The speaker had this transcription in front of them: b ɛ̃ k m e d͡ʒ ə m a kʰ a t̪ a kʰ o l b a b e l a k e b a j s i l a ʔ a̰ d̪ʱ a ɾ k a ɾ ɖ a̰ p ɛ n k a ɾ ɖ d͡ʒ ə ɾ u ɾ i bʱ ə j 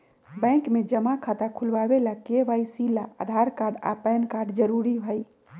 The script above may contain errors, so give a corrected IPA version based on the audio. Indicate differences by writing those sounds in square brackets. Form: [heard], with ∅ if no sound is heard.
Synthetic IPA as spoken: b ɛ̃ k m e d͡ʒ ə m a kʰ a t̪ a kʰ [u] l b a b e l a k e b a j s i l a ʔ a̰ d̪ʱ a ɾ k a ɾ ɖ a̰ p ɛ n k a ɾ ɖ d͡ʒ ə ɾ u ɾ i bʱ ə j